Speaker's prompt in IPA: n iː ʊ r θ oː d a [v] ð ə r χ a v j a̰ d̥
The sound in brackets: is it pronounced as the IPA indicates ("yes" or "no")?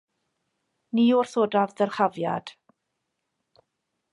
yes